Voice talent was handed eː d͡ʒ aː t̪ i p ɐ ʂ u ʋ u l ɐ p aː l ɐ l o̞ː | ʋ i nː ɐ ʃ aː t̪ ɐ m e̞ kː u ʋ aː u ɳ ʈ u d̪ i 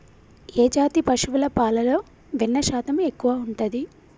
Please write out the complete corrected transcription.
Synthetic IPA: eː d͡ʒ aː t̪ i p ɐ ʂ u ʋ u l ɐ p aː l ɐ l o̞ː | ʋ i nː ɐ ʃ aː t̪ ɐ m e̞ kː u ʋ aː u ɳ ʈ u d̪ i